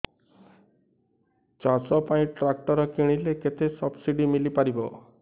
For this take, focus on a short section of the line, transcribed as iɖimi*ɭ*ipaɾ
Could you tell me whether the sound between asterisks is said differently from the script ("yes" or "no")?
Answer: yes